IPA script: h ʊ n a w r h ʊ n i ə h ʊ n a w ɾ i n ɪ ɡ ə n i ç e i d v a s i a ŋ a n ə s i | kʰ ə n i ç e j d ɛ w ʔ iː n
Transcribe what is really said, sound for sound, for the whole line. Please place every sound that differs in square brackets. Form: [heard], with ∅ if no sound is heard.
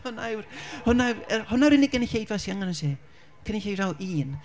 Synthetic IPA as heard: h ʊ n a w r h ʊ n [a] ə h ʊ n a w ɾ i n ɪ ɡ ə n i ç e [j] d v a s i a ŋ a n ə s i | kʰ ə n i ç e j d [a] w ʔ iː n